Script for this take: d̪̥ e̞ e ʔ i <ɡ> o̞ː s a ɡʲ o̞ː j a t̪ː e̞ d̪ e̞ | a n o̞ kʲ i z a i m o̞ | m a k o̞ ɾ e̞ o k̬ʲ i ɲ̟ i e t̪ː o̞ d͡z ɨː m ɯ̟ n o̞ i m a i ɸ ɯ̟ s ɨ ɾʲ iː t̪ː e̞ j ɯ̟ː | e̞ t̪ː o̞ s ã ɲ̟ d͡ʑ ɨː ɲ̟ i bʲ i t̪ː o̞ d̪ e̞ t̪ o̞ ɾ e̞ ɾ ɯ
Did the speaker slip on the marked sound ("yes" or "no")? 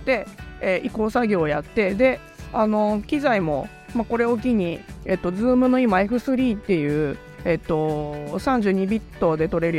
yes